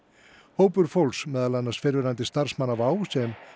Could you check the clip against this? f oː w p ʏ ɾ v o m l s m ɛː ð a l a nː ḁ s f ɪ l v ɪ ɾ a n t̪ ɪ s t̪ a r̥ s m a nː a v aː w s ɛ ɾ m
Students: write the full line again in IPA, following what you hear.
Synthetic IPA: h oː w p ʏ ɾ f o l s m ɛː ð a l a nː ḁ s f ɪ ɾ v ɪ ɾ a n t̪ ɪ s t̪ a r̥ s m a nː a v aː w s ɛ m